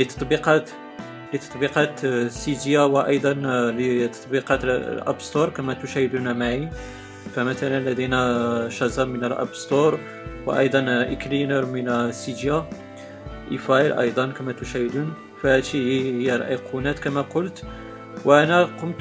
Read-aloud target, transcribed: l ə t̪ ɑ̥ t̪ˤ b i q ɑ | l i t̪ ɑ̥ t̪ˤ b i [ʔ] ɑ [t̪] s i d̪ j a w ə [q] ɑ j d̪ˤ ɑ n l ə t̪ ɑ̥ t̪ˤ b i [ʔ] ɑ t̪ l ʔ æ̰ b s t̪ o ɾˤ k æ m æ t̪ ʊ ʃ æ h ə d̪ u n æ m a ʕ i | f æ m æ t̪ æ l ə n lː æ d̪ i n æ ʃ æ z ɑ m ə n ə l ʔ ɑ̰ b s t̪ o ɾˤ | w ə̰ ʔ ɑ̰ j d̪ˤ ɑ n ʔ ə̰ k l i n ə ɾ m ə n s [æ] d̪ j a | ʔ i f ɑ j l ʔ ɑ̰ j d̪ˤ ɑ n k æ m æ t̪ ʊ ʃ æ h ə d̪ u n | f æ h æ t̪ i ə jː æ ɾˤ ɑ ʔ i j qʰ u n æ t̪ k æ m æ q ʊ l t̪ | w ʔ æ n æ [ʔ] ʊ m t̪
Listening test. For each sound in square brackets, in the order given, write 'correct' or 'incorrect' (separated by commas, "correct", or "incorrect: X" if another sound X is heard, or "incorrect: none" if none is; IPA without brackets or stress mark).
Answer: incorrect: q, correct, incorrect: ʔ, incorrect: q, incorrect: i, incorrect: q